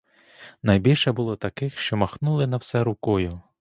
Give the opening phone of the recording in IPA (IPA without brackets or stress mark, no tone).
n